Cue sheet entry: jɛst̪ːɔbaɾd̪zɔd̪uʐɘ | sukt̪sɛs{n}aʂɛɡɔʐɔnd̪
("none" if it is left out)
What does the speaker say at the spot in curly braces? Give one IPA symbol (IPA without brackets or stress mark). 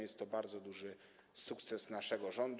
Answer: n